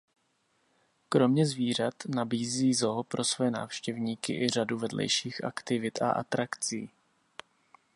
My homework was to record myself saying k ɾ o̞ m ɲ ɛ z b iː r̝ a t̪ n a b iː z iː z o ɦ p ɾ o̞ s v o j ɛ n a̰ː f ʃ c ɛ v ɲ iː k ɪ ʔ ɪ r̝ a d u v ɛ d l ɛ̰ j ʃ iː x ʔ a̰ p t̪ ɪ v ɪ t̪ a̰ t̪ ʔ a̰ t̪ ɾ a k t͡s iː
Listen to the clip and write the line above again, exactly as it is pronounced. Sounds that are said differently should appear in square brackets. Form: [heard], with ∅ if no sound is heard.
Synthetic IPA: k ɾ o̞ m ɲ ɛ z [v] iː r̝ a t̪ n a b iː z iː z o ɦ p ɾ o̞ s v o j ɛ n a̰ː f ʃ c ɛ v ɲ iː k ɪ ʔ ɪ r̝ a d u v ɛ d l ɛ̰ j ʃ iː x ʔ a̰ [k] t̪ ɪ v ɪ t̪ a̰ [∅] ʔ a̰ t̪ ɾ a k t͡s iː